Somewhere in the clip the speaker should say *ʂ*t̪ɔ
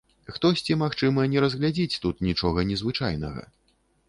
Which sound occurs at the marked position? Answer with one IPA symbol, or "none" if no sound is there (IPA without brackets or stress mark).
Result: x